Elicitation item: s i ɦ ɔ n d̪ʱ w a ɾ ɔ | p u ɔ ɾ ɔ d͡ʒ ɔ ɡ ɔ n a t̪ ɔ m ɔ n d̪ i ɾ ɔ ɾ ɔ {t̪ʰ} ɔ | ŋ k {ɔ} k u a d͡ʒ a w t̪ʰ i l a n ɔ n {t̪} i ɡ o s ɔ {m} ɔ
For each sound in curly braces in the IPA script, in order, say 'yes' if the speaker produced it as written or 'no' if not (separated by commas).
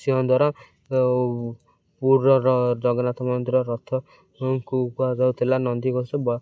yes, no, no, no